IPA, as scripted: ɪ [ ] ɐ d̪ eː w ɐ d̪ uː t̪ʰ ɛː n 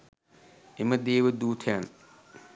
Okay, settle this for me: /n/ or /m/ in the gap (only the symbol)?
m